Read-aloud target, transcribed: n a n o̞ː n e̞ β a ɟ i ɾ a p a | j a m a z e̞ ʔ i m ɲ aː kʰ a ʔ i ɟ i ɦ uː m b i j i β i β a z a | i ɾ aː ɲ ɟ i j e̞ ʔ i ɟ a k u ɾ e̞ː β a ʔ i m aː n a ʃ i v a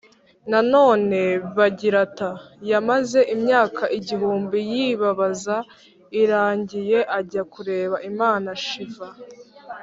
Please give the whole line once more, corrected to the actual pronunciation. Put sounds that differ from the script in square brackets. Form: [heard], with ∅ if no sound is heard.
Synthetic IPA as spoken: n a n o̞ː n e̞ β a ɟ i ɾ a [t] a | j a m a z e̞ ʔ i m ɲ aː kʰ a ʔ i ɟ i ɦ uː m b i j i β [a] β a z a | i ɾ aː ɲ ɟ i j e̞ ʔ [a] ɟ a k u ɾ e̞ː β a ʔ i m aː n a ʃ i v a